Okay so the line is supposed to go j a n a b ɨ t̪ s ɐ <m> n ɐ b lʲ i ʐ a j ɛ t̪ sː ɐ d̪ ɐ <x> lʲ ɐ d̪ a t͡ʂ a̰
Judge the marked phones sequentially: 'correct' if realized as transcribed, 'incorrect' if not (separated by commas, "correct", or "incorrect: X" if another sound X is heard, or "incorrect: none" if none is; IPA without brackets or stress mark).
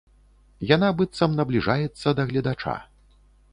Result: correct, incorrect: ɣ